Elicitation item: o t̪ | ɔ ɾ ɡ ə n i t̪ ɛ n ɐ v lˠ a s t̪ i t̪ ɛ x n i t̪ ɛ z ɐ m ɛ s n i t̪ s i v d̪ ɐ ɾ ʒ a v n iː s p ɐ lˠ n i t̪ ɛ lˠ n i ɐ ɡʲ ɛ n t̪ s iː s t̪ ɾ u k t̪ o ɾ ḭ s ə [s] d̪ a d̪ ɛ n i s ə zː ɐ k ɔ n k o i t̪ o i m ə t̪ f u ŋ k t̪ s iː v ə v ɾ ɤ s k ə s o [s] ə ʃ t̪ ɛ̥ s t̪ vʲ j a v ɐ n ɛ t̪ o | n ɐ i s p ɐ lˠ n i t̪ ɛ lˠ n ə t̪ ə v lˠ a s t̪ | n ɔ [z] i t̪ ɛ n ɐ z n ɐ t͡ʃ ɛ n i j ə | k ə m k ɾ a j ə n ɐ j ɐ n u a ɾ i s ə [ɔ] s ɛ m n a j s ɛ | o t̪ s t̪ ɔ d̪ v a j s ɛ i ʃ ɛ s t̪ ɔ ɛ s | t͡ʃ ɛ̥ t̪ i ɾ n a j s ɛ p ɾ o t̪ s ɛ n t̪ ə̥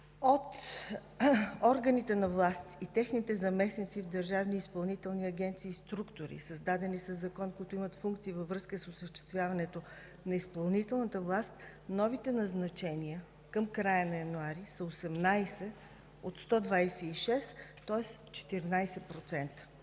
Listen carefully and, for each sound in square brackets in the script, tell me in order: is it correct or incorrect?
incorrect: z, correct, incorrect: v, incorrect: o

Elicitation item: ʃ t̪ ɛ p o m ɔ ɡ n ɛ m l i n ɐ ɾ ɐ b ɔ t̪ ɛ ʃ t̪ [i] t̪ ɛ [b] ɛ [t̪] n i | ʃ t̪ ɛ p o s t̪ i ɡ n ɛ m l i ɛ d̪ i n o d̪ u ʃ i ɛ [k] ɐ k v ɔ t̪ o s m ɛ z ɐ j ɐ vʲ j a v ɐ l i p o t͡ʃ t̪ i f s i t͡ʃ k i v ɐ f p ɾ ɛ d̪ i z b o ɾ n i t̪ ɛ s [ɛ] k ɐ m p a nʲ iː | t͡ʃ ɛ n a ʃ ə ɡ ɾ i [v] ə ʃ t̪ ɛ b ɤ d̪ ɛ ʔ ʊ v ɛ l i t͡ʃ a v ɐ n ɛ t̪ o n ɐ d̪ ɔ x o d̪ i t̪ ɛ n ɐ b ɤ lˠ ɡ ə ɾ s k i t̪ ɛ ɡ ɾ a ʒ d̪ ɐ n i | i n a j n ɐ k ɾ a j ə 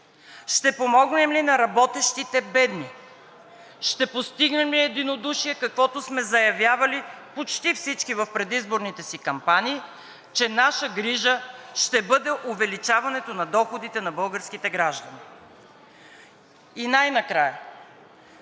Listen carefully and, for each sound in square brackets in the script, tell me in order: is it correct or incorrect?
correct, correct, incorrect: d̪, correct, incorrect: i, incorrect: ʒ

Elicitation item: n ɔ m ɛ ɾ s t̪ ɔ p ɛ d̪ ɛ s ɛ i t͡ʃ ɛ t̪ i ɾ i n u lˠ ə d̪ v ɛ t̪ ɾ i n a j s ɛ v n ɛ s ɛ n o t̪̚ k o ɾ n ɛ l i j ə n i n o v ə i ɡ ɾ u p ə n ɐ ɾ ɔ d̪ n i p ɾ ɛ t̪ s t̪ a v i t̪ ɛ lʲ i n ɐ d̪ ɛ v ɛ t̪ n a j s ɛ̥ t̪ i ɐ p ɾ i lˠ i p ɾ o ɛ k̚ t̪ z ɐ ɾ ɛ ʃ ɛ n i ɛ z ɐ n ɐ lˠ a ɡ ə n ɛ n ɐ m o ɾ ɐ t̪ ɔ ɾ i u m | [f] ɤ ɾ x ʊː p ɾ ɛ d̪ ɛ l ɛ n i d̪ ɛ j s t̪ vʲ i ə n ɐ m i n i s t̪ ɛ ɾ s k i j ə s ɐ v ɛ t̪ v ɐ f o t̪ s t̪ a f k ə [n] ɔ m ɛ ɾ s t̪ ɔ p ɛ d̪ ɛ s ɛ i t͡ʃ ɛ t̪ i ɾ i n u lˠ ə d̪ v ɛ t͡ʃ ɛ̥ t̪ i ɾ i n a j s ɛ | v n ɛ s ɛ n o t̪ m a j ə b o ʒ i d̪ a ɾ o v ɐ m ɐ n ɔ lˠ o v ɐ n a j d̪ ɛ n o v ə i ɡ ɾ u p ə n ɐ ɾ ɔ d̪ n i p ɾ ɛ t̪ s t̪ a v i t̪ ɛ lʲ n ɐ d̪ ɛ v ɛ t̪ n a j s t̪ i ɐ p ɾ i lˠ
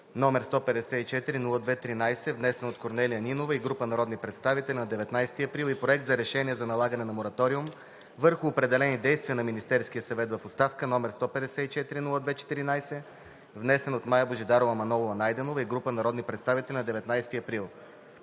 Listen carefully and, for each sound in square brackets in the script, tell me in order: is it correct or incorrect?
incorrect: v, correct

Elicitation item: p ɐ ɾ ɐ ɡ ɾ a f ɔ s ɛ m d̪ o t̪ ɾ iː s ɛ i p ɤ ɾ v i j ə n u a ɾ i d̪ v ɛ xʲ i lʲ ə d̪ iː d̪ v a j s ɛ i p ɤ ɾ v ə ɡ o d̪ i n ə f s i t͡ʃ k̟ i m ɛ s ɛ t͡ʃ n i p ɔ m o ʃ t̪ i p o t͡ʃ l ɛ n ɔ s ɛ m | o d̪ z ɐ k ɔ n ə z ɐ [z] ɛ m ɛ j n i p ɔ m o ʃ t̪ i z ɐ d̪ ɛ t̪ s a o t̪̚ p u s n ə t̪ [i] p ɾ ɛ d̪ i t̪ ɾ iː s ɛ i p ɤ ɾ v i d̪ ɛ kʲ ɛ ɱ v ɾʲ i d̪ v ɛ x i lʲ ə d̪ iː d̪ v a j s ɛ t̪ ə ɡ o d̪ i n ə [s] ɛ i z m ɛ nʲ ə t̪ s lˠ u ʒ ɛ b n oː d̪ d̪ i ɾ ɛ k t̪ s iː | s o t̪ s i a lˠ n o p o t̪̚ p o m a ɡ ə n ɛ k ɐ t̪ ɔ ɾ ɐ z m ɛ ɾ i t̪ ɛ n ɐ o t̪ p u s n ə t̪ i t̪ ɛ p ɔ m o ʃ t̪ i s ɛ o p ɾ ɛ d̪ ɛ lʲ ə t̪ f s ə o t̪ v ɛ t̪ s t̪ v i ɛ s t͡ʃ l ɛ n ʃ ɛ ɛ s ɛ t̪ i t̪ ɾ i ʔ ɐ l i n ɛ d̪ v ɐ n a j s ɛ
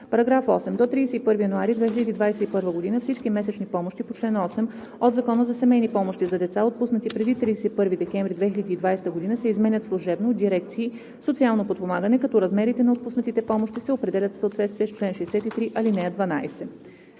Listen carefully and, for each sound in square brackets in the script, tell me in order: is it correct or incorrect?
incorrect: s, correct, correct

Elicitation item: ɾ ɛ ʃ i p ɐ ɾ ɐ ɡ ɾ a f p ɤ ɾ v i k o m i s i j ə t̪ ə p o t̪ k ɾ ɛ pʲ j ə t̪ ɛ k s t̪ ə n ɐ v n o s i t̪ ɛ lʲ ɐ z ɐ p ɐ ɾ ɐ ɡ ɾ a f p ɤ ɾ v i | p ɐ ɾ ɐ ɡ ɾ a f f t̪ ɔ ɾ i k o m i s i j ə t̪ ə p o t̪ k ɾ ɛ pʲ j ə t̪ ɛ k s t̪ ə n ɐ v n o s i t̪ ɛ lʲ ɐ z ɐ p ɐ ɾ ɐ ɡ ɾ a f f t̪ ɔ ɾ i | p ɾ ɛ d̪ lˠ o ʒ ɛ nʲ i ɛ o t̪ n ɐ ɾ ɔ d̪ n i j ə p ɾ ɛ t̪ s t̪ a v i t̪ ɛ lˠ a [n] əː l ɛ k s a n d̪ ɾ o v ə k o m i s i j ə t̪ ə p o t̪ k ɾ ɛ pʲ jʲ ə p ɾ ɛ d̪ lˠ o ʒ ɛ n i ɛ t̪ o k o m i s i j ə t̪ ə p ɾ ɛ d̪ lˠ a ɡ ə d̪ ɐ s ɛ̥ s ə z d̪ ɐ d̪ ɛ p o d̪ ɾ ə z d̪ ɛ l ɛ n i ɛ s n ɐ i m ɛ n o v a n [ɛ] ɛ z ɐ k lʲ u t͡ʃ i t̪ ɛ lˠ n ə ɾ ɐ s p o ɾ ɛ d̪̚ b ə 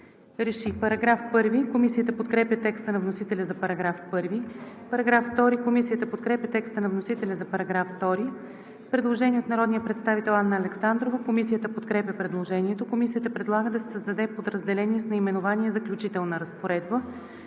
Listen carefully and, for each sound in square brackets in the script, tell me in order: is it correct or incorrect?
incorrect: nː, incorrect: i

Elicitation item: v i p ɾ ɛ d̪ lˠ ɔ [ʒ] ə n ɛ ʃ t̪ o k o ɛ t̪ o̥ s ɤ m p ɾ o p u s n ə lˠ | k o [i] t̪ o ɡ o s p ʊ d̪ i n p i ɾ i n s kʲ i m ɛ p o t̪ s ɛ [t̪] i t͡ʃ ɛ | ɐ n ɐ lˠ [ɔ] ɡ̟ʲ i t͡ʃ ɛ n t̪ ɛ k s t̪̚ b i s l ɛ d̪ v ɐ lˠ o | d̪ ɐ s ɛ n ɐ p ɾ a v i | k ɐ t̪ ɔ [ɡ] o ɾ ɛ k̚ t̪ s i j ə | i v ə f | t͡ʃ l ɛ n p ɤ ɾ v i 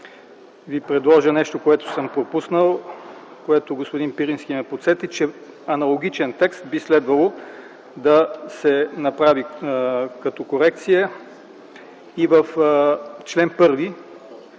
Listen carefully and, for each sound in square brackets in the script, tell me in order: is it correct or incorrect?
correct, incorrect: ɛ, correct, incorrect: o, incorrect: k

